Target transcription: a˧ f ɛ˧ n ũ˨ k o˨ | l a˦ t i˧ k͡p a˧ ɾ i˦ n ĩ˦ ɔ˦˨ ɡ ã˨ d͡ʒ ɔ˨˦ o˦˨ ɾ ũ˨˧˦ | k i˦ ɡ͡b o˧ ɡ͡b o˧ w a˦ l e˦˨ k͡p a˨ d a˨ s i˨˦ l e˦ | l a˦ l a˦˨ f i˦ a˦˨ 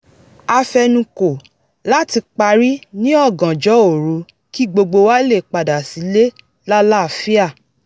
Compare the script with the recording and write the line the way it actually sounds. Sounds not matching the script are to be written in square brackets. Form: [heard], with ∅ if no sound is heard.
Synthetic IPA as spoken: a˧ f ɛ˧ n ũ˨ k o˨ | l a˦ t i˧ k͡p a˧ ɾ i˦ n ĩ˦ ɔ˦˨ ɡ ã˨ d͡ʒ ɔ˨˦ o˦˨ ɾ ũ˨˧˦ | k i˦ ɡ͡b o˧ ɡ͡b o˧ w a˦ l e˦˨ k͡p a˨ d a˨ s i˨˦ l e˦ | l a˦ l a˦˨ f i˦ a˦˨